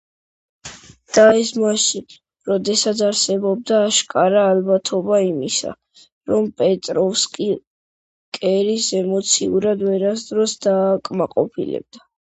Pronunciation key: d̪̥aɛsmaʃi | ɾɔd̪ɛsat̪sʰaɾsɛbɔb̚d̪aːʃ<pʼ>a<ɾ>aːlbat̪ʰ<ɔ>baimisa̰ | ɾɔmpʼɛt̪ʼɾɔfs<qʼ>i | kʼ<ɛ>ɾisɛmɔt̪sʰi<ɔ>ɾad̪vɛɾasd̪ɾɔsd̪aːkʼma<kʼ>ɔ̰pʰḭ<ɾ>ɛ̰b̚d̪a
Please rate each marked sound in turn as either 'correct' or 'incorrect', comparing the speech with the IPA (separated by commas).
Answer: incorrect, correct, correct, incorrect, correct, incorrect, incorrect, incorrect